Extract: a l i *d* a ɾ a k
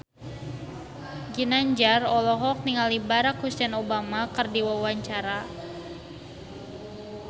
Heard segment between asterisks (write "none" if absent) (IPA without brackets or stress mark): b